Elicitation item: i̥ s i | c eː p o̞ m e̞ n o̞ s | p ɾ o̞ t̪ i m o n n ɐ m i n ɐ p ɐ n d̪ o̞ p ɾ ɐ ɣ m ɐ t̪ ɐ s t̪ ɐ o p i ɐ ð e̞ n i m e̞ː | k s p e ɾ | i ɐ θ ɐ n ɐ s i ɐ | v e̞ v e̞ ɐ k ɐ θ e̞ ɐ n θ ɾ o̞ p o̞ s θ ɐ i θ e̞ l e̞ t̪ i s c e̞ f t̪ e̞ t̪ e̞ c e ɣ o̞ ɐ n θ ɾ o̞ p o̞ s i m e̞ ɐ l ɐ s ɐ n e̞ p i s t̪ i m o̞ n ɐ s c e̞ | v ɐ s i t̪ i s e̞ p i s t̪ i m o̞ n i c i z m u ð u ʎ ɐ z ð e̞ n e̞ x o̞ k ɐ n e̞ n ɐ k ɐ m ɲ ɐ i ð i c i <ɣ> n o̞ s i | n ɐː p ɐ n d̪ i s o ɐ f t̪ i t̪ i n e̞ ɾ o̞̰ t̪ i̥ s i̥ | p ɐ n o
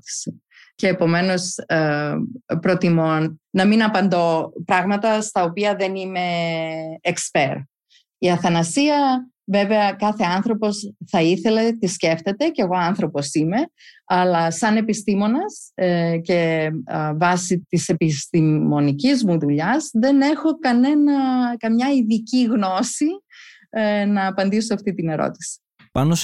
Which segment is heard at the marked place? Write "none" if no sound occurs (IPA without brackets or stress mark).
ɣ